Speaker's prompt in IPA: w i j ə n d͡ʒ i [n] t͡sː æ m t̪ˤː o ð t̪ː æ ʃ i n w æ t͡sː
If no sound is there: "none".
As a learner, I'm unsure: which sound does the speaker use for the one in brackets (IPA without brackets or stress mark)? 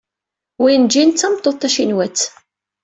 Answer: n